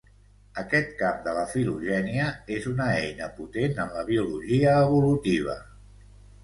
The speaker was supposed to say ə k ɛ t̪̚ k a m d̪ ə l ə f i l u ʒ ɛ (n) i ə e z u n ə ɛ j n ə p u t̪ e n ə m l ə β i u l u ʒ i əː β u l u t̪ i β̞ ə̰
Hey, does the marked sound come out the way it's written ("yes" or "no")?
yes